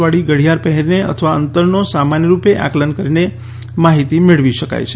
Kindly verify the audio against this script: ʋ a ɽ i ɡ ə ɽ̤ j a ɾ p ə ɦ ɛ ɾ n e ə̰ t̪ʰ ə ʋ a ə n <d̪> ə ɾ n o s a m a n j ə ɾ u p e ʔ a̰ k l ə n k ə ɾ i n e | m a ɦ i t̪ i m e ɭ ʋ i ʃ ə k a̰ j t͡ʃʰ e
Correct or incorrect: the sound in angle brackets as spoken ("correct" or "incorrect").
incorrect